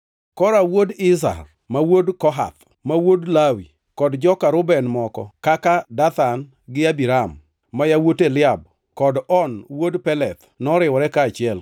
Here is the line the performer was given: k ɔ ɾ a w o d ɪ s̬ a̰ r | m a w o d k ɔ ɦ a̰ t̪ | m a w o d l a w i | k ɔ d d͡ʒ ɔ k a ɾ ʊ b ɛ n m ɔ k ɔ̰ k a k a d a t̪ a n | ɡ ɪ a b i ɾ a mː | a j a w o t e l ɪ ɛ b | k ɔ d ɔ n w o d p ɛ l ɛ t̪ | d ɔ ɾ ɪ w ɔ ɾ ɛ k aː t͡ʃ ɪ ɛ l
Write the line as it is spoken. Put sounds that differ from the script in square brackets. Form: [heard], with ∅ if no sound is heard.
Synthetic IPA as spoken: k ɔ ɾ a w o d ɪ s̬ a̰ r | m a w o d k ɔ ɦ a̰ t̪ | m a w o d l a w i | k ɔ d d͡ʒ ɔ k a ɾ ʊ b ɛ n m ɔ k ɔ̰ k a k a d a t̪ a n | ɡ ɪ a b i ɾ a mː | a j a w o t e l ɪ [a] b | k ɔ d ɔ n w o d p ɛ l ɛ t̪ | [n] ɔ ɾ ɪ w ɔ ɾ ɛ k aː t͡ʃ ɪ ɛ l